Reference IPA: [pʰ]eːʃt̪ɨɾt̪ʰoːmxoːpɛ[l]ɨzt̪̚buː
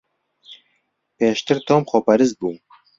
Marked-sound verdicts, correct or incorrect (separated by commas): incorrect, incorrect